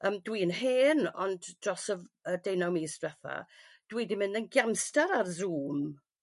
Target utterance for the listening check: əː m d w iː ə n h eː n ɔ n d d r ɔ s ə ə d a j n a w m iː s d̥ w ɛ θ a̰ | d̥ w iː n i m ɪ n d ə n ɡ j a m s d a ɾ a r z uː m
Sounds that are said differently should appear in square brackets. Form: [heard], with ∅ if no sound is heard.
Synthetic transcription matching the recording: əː m d w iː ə n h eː n ɔ n d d r ɔ s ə ə d [e] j n a w m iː s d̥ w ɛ θ a̰ | d̥ w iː [d] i m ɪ n d ə n ɡ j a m s [t] a ɾ a r z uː m